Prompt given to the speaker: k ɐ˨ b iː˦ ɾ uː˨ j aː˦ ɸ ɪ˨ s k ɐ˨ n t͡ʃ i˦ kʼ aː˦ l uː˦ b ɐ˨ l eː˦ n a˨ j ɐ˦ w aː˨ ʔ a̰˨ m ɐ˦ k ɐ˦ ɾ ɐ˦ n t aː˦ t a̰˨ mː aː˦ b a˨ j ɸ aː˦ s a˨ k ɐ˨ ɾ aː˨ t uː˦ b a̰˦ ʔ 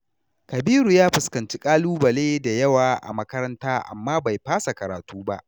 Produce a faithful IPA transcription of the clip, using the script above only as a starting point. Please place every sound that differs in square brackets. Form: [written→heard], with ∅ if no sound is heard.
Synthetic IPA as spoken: k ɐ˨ b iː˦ ɾ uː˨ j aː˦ ɸ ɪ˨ s k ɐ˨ n t͡ʃ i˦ kʼ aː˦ l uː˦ b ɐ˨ l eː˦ [n→d] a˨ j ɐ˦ w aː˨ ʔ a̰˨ m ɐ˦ k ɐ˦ ɾ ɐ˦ n t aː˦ [t→ʔ] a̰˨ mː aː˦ b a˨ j ɸ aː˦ s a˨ k ɐ˨ ɾ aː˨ t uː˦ b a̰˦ ʔ